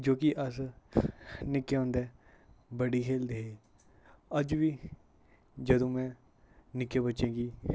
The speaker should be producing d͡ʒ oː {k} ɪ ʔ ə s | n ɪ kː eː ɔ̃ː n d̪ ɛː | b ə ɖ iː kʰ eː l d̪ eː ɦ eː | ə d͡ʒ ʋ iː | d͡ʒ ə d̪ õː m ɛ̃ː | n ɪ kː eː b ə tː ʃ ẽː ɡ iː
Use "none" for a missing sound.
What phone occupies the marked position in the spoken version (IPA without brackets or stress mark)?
k